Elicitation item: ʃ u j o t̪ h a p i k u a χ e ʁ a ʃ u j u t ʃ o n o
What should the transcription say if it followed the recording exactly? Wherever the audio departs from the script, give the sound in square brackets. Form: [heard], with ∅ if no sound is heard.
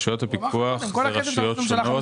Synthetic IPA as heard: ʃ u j o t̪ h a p i k u a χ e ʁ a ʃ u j [o] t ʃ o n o